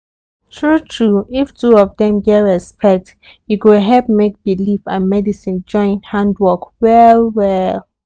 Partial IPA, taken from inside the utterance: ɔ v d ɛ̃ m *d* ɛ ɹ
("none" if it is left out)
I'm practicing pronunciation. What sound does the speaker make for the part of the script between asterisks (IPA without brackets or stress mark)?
ɡ